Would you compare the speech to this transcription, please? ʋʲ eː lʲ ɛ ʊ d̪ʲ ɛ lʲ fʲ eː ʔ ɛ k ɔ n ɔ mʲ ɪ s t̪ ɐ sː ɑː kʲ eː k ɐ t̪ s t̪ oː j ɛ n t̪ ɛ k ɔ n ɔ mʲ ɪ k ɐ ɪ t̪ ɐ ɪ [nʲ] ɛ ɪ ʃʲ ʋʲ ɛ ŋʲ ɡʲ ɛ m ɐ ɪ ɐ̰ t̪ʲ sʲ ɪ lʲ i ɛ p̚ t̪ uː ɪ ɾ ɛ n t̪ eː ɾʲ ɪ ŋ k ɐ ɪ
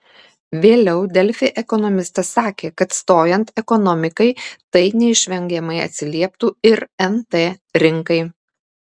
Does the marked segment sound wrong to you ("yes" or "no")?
no